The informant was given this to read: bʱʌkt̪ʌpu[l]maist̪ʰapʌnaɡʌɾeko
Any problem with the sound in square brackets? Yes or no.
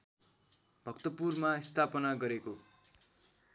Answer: yes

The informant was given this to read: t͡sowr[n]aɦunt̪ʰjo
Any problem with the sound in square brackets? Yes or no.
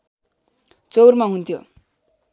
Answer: yes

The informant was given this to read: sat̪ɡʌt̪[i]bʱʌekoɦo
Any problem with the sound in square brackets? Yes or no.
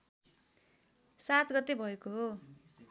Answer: yes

